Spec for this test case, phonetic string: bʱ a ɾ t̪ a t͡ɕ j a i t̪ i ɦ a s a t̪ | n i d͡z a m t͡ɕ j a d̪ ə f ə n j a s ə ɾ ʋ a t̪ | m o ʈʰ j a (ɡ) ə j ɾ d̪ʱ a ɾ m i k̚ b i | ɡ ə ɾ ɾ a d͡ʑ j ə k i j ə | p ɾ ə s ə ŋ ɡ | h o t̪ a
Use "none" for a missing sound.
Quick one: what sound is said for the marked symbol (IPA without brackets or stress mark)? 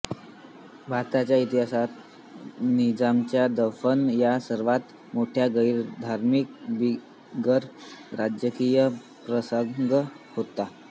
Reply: ɡ